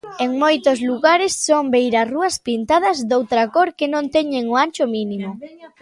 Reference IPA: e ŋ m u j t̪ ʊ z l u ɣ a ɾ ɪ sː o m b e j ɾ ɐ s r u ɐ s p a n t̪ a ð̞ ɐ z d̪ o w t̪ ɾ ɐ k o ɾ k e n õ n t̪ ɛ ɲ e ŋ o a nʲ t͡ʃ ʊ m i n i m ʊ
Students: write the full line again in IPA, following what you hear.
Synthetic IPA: e ŋ m o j t̪ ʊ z l u ɣ a ɾ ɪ sː o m b e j ɾ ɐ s r u ɐ s p i n t̪ a ð̞ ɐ z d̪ o w t̪ ɾ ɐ k o ɾ k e n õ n t̪ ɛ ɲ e ŋ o a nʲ t͡ʃ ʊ m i n i m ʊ